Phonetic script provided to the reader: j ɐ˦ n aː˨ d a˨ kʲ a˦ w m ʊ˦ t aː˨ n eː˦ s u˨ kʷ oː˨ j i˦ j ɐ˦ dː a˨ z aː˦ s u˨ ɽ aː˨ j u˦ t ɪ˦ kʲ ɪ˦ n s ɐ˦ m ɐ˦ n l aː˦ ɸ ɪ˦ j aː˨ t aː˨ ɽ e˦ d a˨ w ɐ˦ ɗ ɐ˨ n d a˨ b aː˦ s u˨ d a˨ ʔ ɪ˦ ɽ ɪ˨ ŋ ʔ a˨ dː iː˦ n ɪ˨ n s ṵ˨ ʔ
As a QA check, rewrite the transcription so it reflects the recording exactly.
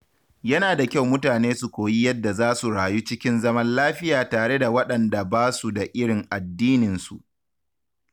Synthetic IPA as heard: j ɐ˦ n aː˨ d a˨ kʲ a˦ w m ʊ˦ t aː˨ n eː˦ s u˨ kʷ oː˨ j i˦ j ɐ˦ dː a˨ z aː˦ s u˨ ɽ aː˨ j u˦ t͡ʃ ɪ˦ kʲ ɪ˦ n z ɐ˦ m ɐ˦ n l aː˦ ɸ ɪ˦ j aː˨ t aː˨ ɽ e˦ d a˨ w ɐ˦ ɗ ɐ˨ n d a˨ b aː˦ s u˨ d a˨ ʔ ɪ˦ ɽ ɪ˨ ŋ ʔ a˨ dː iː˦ n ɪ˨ n s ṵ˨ ʔ